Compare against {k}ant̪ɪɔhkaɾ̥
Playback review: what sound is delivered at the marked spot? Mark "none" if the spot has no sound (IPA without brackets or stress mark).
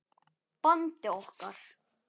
p